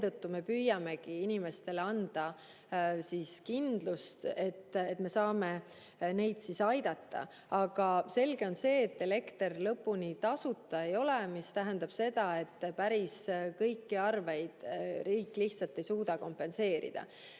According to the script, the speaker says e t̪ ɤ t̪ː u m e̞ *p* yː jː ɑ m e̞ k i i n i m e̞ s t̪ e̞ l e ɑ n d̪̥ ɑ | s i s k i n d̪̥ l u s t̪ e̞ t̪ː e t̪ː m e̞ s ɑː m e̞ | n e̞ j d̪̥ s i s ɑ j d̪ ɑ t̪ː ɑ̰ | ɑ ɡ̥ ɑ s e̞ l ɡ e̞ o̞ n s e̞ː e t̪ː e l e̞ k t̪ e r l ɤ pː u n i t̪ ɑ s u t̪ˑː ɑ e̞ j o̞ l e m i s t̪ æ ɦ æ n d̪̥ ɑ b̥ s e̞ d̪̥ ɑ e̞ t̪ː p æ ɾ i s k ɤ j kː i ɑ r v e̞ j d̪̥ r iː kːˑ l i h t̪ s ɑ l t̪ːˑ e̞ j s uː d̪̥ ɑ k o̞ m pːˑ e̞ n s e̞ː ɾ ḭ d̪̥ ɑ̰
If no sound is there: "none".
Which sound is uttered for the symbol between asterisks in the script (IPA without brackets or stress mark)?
p